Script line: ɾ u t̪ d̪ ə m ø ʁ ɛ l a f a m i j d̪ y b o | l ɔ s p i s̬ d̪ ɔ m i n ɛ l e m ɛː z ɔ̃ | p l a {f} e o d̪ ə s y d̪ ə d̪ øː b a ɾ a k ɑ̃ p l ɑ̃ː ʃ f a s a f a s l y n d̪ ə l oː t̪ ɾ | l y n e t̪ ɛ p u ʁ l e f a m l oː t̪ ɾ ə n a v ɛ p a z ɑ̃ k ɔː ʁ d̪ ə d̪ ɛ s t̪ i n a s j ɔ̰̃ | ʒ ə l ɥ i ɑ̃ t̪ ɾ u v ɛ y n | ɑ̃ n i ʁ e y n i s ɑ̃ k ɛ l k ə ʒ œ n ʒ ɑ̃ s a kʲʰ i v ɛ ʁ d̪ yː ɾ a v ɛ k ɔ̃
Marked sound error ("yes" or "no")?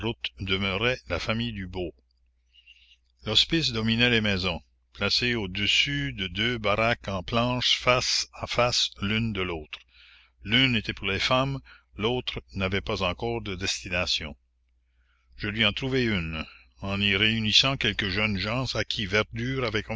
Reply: yes